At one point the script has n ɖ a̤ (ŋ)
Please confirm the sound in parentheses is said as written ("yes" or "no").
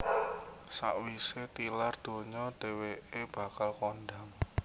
yes